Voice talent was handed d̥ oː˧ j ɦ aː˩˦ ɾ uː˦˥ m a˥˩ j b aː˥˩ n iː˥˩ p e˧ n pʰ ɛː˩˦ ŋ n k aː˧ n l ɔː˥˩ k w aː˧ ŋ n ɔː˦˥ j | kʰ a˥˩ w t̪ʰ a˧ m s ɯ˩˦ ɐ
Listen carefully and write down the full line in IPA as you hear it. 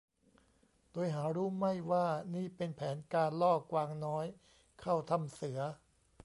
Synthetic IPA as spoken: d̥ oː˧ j ɦ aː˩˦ ɾ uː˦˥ m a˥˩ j w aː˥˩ n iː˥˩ p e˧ n pʰ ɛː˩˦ n k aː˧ n l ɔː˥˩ k w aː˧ ŋ n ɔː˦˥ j | kʰ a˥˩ w t̪ʰ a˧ m s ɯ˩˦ ɐ